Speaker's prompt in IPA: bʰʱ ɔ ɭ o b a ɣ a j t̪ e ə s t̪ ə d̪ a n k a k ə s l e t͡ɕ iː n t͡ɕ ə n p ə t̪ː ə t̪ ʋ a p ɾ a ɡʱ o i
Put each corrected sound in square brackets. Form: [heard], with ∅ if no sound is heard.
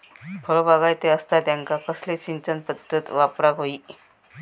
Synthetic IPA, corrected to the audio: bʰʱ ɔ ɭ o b a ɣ a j t̪ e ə s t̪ [a] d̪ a [ŋ] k a k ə s l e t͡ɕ [i] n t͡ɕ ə n p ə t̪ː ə t̪ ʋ a p ɾ a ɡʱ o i